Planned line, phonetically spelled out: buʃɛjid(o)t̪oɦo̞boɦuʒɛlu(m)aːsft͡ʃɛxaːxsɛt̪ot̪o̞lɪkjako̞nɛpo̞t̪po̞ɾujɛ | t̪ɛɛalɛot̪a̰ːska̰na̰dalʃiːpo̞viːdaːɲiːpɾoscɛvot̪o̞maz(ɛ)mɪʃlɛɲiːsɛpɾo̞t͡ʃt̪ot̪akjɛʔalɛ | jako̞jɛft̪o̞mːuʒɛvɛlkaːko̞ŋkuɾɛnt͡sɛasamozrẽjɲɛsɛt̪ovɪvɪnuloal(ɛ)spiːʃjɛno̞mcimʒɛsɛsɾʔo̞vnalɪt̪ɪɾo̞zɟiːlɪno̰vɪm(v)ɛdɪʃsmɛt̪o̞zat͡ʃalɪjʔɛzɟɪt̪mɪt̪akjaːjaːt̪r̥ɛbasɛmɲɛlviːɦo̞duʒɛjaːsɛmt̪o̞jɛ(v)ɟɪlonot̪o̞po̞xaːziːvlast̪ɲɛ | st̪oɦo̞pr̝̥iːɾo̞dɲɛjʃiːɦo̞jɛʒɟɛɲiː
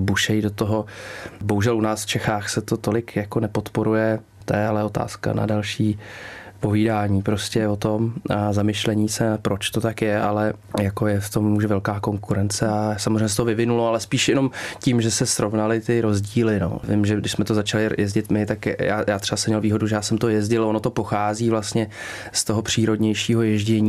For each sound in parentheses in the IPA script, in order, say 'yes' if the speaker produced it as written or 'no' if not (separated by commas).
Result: yes, no, no, yes, no, no